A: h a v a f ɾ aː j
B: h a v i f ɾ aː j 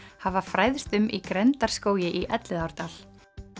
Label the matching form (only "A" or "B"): A